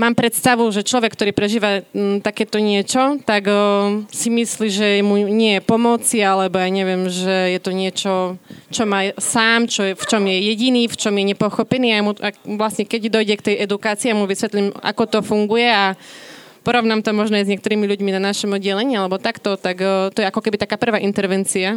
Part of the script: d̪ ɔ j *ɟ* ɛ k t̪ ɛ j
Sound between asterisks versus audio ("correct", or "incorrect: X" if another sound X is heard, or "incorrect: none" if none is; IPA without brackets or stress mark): correct